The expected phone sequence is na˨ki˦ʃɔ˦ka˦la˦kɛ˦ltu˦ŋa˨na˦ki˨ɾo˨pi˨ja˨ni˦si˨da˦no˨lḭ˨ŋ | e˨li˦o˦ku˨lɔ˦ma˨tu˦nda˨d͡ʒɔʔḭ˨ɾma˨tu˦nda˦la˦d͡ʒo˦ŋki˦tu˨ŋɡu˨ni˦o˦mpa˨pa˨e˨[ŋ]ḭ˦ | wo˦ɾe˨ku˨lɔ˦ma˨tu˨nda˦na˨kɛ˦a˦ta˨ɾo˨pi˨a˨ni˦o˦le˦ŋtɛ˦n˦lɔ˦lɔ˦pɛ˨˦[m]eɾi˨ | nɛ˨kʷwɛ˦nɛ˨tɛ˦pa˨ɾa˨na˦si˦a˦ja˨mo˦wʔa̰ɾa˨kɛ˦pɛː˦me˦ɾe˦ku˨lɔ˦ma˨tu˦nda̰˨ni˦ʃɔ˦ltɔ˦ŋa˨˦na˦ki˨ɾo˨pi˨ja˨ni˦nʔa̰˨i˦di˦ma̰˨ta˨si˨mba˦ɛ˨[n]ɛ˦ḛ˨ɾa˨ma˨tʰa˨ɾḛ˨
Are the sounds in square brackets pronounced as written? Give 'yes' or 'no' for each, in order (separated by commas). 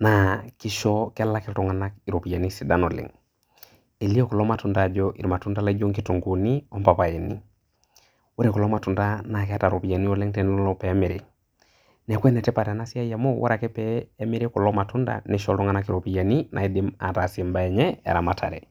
no, yes, no